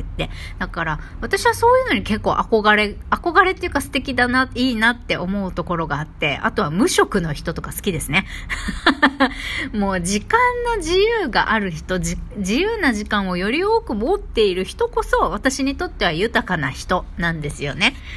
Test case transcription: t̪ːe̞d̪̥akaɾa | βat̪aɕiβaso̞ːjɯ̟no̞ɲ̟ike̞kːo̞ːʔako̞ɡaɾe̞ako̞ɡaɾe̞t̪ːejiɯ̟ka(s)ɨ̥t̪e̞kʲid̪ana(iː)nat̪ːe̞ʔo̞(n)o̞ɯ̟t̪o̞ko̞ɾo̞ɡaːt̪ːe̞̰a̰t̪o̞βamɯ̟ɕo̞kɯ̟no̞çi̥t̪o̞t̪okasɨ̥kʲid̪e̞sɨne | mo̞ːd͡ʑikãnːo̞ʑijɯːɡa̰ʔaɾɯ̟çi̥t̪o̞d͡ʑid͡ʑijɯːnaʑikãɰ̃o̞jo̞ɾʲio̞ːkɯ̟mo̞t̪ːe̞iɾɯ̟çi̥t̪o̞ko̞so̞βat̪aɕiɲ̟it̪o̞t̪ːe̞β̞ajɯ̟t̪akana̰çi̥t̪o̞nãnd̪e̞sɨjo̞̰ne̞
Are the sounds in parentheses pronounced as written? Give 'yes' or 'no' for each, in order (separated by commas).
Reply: yes, yes, no